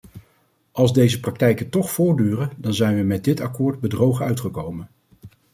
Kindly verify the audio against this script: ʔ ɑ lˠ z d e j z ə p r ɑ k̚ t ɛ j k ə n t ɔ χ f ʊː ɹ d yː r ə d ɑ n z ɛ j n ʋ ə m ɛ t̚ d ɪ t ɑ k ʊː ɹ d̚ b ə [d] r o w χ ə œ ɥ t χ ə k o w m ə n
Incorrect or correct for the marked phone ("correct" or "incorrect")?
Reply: correct